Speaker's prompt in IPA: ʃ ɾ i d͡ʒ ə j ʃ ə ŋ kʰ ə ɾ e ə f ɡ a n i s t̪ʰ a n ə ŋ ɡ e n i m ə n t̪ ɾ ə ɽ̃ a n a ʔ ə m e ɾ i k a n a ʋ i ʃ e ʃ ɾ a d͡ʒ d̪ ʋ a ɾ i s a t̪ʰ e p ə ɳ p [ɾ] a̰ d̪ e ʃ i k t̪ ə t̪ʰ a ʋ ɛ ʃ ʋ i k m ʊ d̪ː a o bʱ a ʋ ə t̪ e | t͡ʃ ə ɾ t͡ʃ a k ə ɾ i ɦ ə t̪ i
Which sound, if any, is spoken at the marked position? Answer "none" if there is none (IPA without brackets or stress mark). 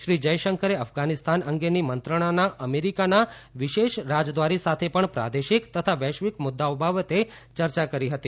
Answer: ɾ